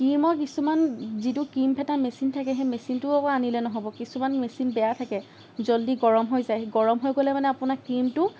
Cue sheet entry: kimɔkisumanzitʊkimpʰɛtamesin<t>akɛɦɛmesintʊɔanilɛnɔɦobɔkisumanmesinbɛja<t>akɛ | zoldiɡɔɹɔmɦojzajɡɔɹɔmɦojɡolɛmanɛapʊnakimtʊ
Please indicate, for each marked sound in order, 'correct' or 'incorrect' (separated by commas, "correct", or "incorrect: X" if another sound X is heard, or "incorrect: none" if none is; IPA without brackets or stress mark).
incorrect: tʰ, incorrect: tʰ